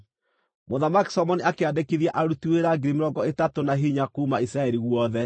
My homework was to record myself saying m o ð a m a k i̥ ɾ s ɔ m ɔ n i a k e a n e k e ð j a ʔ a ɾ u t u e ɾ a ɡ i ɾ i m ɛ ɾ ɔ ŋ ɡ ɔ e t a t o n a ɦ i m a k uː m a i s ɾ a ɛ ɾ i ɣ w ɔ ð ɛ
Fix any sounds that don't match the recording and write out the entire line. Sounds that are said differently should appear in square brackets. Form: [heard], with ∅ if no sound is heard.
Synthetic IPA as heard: m o ð a m a k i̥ [∅] s ɔ m ɔ n i a k e a [d] e k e ð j a ʔ a ɾ u t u e ɾ a ɡ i ɾ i m [e] ɾ ɔ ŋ ɡ ɔ e t a t o n a ɦ i [ɲ] a k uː m a i s ɾ a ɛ ɾ i ɣ w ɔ ð ɛ